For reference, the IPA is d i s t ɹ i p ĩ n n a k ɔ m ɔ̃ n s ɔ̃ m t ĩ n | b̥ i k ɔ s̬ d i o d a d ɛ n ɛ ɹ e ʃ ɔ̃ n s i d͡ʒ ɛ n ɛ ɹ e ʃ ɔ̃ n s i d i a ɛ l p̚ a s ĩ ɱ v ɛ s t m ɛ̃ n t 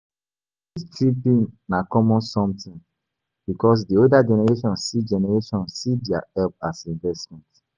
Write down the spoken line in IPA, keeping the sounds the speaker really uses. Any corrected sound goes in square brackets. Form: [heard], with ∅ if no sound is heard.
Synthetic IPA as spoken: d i s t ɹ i p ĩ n n a k ɔ m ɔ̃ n s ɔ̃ m t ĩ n | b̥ i k ɔ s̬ d i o d a [d͡ʒ] ɛ n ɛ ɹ e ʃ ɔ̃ n s i d͡ʒ ɛ n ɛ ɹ e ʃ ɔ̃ n s i d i a ɛ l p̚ a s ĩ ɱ v ɛ s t m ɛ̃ n t